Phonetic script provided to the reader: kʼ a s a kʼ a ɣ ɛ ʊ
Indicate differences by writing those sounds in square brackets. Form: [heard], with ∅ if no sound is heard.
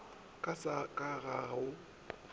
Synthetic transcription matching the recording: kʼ a s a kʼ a ɣ [a] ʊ

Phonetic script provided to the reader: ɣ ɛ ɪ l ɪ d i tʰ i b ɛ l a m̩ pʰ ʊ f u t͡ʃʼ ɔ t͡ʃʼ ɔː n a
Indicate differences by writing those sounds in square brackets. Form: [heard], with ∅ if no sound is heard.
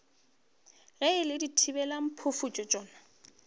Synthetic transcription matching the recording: ɣ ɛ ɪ l ɪ d i tʰ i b ɛ l a m̩ pʰ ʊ f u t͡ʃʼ ɔ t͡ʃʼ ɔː n a

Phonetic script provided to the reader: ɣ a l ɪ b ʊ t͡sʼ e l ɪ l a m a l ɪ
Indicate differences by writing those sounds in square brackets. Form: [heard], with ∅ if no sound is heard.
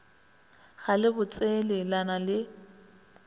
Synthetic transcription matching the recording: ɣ a l ɪ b ʊ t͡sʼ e l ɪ l a [n] a l ɪ

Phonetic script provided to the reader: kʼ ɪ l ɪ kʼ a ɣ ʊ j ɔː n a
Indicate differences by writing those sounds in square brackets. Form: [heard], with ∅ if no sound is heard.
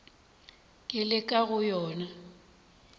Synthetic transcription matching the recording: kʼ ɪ l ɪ kʼ a ɣ ʊ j ɔː n a

